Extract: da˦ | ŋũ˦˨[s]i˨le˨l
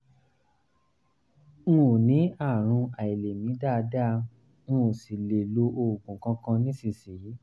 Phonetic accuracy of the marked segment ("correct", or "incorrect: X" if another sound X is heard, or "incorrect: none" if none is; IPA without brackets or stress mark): correct